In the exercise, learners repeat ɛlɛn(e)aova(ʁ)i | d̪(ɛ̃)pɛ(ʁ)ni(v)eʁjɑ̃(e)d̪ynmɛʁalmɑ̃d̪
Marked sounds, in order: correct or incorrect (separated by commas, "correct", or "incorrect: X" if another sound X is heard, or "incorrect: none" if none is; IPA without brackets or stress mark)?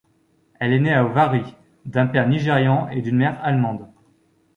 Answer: correct, correct, correct, correct, incorrect: ʒ, correct